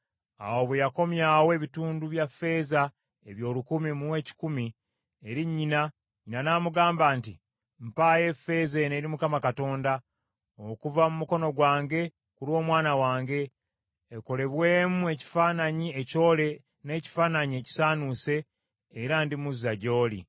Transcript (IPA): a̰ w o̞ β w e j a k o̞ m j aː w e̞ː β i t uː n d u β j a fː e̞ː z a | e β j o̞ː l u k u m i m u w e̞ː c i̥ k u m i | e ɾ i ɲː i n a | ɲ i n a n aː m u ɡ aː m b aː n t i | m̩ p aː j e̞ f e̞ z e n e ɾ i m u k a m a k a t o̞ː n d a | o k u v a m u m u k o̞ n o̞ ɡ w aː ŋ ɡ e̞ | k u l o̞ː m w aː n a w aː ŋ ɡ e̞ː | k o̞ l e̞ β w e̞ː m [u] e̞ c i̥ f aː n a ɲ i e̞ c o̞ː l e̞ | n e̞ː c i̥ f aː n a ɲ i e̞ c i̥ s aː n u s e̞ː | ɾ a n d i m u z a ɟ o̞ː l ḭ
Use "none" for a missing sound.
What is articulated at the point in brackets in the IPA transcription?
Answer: u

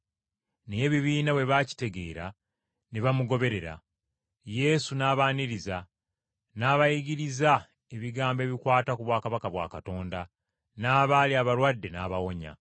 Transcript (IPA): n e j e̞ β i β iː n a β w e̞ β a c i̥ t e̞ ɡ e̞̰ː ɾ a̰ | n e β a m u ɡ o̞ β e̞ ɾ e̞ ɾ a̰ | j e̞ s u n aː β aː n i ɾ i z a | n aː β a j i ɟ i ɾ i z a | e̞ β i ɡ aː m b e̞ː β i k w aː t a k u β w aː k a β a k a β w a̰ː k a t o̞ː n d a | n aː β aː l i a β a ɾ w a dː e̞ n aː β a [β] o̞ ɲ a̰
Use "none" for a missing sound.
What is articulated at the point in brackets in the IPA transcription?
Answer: w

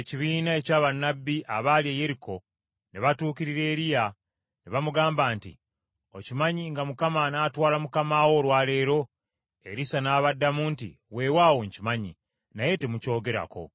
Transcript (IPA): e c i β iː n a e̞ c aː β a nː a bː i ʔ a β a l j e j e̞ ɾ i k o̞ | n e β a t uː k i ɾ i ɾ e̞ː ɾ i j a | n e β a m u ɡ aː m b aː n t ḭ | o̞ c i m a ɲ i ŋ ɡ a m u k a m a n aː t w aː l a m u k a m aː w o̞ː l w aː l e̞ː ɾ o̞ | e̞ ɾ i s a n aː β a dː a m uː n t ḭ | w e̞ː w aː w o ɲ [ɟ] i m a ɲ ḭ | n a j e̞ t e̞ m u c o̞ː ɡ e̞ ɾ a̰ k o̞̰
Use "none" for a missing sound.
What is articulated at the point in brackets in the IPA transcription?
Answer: c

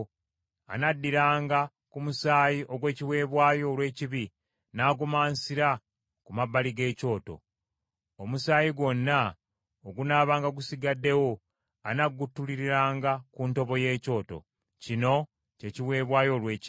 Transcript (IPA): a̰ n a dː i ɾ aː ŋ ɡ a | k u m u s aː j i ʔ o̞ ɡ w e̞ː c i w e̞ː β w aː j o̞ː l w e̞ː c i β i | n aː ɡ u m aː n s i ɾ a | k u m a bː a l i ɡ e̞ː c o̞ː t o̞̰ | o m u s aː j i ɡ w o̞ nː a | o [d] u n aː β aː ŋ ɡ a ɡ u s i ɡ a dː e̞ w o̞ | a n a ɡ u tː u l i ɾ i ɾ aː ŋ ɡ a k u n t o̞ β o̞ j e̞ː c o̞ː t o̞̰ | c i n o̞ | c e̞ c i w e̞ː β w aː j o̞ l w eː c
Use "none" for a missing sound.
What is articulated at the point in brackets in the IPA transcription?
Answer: ɡ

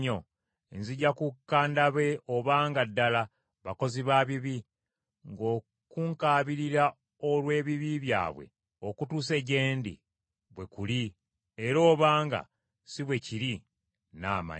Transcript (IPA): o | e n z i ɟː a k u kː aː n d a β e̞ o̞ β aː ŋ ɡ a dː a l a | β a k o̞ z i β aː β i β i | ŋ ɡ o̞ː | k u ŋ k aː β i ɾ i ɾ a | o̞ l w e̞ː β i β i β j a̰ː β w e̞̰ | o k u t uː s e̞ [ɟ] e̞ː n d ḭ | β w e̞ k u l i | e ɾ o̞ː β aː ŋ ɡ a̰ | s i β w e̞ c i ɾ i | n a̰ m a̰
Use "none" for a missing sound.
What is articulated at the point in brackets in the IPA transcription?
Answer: ɟ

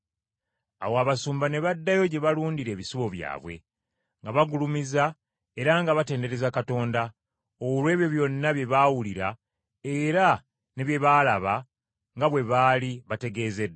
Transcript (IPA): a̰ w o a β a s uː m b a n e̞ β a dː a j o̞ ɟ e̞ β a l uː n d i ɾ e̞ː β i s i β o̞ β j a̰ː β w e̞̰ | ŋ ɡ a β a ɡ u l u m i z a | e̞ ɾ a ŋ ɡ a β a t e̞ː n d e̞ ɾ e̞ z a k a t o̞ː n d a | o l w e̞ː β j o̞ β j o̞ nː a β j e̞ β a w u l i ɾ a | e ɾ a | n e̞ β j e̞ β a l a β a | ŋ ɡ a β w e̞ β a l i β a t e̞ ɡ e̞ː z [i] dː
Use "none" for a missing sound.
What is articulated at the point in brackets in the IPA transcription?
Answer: e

